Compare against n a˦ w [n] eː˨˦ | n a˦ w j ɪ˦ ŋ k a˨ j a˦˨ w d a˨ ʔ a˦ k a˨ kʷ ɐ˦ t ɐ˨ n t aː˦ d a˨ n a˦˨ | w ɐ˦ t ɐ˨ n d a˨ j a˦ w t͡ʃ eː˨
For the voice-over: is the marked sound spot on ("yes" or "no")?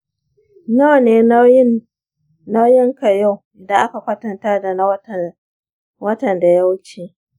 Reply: yes